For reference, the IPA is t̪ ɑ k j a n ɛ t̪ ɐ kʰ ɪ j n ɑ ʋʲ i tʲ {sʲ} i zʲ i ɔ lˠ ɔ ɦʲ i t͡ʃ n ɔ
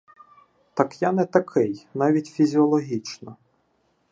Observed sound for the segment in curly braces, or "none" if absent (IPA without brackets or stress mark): fʲ